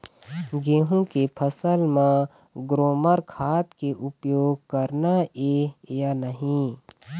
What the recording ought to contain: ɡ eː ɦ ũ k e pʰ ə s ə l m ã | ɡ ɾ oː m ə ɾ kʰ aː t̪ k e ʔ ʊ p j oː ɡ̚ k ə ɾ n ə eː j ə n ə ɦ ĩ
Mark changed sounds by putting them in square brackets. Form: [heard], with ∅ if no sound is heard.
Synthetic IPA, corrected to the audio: ɡ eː ɦ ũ k e pʰ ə s ə l m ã | ɡ ɾ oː m ə ɾ kʰ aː t̪ k e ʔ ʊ p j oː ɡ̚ k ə ɾ n [a] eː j [a] n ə ɦ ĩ